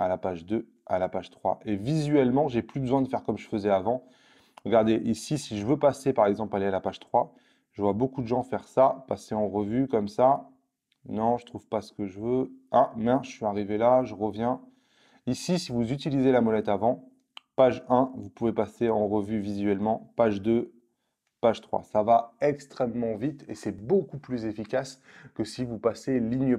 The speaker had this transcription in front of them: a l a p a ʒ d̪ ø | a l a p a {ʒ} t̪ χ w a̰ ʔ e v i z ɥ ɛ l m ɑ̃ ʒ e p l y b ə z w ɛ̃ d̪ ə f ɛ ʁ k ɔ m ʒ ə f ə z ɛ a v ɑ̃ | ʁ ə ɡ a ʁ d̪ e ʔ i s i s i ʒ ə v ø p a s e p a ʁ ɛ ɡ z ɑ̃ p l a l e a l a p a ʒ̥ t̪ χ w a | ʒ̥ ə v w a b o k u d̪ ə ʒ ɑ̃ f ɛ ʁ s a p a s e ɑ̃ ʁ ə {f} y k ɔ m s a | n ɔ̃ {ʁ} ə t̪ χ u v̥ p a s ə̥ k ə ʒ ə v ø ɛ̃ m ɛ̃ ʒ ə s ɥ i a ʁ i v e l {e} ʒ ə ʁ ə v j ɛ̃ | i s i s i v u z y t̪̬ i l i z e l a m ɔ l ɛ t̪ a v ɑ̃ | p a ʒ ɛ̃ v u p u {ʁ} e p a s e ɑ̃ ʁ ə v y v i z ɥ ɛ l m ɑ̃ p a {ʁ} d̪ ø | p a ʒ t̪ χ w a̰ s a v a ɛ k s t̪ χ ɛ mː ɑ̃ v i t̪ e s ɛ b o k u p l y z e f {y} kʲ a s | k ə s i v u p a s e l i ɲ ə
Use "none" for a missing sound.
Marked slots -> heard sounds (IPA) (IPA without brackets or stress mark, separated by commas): ʒ, v, ʒ, a, v, ʒ, i